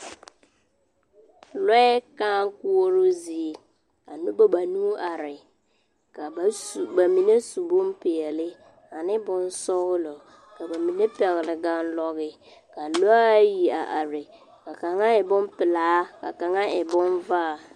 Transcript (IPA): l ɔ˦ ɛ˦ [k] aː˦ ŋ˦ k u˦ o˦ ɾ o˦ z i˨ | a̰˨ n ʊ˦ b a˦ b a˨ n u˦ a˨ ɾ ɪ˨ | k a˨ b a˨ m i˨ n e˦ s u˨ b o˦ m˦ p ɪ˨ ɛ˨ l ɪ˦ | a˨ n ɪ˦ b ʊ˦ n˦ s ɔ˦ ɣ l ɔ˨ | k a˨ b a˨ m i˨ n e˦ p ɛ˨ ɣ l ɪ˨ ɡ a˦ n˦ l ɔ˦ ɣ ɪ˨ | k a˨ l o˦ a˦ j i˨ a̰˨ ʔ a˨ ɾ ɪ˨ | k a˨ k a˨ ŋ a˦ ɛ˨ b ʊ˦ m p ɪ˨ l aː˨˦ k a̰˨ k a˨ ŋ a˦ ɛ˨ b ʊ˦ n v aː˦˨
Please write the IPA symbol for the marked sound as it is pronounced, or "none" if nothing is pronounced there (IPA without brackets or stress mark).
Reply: k